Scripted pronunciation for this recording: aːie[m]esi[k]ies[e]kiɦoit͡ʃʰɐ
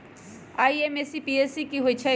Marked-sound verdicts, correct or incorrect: correct, incorrect: p, incorrect: i

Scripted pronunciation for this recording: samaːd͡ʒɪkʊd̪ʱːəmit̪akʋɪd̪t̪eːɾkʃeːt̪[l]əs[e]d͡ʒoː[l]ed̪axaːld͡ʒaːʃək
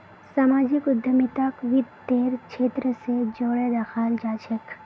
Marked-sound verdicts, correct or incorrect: incorrect: ɾ, correct, incorrect: ɽ

